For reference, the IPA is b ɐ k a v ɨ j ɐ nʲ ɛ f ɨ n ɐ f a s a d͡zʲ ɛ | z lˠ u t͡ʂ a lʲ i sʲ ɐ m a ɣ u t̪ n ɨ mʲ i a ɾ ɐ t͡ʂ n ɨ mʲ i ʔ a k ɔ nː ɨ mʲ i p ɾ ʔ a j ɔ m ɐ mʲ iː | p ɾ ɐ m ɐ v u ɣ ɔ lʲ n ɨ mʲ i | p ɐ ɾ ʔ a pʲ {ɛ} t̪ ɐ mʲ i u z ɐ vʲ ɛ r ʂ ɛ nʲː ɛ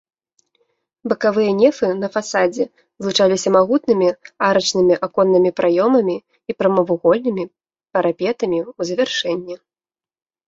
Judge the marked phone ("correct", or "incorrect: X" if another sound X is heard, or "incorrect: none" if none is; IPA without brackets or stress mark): correct